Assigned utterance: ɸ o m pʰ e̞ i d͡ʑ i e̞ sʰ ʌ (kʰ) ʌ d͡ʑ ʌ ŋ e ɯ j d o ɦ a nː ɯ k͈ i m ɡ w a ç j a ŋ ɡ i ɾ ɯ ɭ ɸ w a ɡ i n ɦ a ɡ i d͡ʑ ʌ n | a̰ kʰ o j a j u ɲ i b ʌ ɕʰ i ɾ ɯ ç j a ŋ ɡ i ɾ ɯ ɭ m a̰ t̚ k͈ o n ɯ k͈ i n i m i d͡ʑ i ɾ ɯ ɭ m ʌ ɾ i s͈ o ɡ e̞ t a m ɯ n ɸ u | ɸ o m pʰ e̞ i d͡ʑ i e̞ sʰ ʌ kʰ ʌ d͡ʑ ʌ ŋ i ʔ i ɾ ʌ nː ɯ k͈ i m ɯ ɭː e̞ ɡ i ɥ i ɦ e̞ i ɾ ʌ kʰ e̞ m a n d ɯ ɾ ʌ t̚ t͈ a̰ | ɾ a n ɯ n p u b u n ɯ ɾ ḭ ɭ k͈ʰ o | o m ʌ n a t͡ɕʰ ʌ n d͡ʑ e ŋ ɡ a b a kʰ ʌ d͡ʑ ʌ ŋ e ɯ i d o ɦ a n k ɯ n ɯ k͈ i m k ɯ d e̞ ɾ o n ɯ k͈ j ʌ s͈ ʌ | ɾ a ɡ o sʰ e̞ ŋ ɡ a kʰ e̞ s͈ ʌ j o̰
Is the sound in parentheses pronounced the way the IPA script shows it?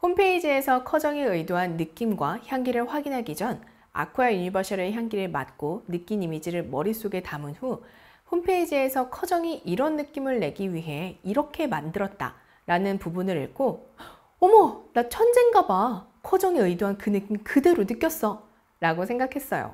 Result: yes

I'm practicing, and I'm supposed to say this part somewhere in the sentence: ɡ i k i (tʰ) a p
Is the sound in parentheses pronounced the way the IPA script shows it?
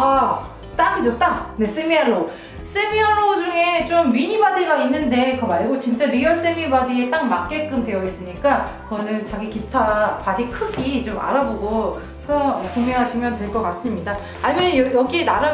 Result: yes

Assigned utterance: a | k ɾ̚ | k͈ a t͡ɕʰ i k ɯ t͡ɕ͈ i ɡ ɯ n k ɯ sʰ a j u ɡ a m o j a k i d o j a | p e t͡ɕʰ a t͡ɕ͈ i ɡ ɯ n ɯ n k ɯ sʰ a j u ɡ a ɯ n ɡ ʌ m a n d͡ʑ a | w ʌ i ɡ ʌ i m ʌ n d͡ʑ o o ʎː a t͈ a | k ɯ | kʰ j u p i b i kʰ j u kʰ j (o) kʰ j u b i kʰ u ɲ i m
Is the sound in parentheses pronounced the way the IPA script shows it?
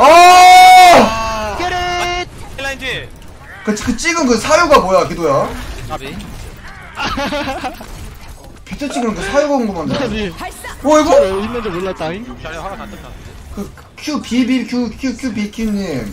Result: no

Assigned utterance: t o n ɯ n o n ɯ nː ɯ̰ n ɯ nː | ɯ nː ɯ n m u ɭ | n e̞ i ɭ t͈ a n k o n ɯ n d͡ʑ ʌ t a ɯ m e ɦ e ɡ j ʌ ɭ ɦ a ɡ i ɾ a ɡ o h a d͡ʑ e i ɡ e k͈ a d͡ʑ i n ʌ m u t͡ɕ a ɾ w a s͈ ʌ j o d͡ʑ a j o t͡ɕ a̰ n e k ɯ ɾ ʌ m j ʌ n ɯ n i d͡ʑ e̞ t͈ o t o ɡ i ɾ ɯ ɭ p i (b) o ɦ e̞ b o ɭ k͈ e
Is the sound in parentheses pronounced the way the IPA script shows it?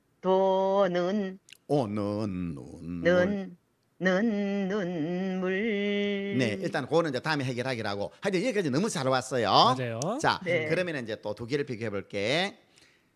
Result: no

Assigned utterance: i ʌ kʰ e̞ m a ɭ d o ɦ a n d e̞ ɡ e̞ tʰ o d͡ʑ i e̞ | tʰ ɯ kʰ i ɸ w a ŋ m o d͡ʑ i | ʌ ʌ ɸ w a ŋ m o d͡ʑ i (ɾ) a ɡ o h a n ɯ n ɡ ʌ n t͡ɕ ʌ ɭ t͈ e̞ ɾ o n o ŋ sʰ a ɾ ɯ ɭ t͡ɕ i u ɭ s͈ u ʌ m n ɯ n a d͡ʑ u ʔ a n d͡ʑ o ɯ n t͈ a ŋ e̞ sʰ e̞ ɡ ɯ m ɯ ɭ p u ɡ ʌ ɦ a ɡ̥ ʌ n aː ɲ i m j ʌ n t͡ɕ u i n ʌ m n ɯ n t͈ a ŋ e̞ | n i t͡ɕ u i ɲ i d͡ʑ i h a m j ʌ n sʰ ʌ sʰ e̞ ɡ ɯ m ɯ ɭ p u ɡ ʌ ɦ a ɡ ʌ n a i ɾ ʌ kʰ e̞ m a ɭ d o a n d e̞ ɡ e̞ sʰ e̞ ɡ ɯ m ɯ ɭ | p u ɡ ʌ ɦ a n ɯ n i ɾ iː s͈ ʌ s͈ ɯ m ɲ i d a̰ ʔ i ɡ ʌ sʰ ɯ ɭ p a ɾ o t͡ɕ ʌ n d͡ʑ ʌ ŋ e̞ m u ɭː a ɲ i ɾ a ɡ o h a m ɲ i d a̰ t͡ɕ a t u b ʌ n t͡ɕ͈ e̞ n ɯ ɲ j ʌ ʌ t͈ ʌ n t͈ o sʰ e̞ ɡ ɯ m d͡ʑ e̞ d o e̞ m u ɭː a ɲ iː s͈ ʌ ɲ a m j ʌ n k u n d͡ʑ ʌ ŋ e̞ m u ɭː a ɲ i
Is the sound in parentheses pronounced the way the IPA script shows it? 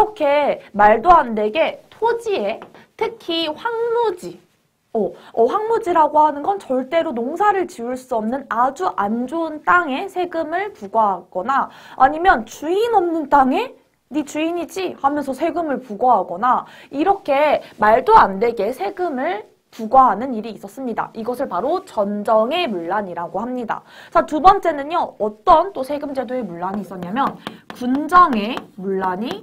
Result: yes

